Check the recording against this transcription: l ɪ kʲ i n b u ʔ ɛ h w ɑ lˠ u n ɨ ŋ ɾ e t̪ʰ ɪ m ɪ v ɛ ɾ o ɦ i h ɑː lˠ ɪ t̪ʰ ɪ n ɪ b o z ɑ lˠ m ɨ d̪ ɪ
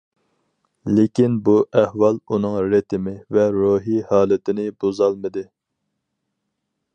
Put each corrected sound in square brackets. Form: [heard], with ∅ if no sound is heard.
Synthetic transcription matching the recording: l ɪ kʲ i n b u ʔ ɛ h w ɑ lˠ u n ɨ ŋ ɾ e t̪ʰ ɪ m ɪ v ɛ ɾ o ɦ i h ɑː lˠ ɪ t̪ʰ ɪ n ɪ b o z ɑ lˠ m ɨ d̪ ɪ